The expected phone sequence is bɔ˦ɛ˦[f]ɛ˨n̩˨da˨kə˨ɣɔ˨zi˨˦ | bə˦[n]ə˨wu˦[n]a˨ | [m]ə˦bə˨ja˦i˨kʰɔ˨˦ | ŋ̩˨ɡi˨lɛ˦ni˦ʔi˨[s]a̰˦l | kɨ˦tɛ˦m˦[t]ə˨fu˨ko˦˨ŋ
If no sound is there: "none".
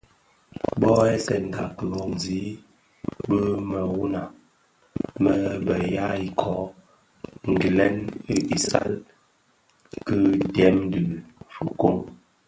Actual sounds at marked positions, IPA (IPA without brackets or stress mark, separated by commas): s, m, n, m, s, d